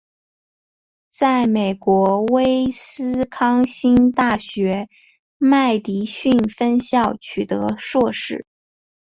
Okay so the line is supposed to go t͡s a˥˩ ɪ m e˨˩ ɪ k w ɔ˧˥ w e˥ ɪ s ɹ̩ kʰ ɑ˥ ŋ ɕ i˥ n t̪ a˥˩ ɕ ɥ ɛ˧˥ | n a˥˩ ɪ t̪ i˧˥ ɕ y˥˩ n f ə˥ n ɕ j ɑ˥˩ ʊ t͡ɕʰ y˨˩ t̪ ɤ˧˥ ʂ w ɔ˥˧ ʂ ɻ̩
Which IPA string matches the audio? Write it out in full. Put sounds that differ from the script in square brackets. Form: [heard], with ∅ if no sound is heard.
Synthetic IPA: t͡s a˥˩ ɪ m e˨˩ ɪ k w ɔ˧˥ w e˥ ɪ s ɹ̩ kʰ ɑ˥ ŋ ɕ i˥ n t̪ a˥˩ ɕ ɥ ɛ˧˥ | [m] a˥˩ ɪ t̪ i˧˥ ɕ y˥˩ n f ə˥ n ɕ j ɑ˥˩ ʊ t͡ɕʰ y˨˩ t̪ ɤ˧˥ ʂ w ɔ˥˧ ʂ ɻ̩